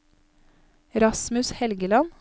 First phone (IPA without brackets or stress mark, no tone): ɾ